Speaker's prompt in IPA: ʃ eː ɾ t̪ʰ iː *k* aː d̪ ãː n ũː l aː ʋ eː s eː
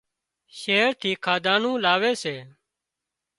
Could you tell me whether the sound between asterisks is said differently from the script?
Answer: yes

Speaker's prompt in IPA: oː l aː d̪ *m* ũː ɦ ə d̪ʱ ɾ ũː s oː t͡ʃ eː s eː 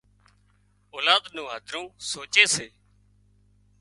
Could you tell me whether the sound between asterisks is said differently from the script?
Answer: yes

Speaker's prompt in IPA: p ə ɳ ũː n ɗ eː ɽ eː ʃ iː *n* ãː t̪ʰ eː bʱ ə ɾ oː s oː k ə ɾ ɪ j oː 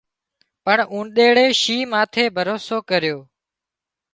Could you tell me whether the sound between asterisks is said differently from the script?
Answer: yes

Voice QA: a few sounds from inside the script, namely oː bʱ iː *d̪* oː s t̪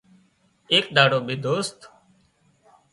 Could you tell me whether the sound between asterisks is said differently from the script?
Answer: no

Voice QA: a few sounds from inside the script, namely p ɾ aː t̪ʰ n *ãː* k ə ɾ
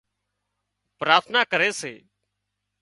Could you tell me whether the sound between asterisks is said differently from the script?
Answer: yes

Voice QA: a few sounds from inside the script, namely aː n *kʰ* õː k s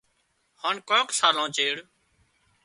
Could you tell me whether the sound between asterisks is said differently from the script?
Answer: yes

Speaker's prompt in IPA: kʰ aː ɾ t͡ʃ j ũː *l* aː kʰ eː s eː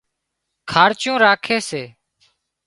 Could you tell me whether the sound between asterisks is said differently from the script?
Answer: yes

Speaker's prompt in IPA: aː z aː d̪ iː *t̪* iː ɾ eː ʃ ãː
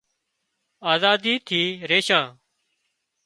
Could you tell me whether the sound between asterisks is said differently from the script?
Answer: yes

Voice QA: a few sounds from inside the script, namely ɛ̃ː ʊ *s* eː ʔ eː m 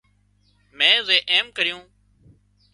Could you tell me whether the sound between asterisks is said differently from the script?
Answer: yes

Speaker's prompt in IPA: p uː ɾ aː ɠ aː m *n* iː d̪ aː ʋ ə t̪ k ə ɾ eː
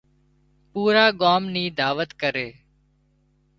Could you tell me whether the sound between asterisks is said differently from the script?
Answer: no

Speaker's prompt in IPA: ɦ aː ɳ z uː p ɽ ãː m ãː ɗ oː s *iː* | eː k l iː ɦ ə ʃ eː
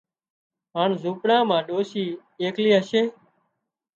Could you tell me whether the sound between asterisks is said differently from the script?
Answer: no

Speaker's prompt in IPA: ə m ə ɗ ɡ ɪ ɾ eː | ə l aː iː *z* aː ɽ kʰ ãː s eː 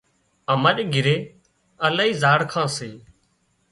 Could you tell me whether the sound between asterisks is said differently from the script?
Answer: no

